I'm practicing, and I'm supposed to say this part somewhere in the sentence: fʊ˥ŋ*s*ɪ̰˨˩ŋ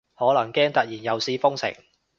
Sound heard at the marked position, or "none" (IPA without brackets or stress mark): s